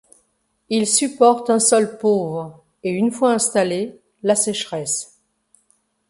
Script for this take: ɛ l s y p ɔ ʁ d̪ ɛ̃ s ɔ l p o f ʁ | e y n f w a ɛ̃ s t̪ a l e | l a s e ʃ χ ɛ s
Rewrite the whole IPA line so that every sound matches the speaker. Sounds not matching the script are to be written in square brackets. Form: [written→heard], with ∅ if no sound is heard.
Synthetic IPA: [ɛ→i] l s y p ɔ ʁ [d̪→t̪] ɛ̃ s ɔ l p o [f→v] ʁ | e y n f w a ɛ̃ s t̪ a l e | l a s [e→ɛ] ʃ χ ɛ s